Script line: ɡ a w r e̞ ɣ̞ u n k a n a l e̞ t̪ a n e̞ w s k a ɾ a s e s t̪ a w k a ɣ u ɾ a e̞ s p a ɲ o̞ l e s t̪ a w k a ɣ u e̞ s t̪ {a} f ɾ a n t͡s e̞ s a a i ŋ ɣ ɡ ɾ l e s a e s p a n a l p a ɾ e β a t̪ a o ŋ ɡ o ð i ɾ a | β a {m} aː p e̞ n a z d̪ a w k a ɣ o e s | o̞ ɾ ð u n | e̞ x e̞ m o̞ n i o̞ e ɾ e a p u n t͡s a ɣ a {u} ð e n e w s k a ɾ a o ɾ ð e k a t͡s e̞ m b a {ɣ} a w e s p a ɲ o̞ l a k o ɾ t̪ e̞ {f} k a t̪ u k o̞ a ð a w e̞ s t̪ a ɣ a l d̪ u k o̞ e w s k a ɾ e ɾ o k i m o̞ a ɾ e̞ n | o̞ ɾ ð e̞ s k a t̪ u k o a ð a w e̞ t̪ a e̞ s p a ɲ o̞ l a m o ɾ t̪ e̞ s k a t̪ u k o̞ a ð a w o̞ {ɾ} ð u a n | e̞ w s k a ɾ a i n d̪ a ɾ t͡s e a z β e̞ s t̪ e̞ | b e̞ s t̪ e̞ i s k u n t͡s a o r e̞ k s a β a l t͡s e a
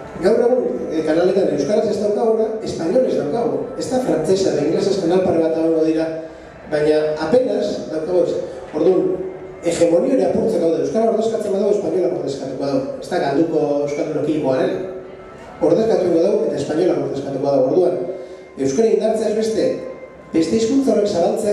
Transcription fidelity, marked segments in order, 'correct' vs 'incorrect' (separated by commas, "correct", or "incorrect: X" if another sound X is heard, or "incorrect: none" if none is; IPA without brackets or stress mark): correct, incorrect: ɲ, incorrect: w, incorrect: ð, incorrect: s, correct